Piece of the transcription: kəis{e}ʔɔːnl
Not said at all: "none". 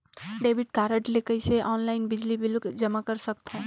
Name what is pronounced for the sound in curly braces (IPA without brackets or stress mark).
e